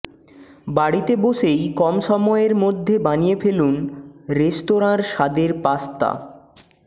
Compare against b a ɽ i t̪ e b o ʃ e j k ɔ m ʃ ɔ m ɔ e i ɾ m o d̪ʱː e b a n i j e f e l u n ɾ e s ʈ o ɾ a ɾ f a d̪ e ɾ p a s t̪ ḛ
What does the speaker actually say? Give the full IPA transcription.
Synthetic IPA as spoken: b a ɽ i t̪ e b o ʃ e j k ɔ m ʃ ɔ m ɔ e e ɾ m o d̪ʱː e b a n i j e f e l u n ɾ e s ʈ o ɾ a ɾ ʃ a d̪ e ɾ p a s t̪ a̰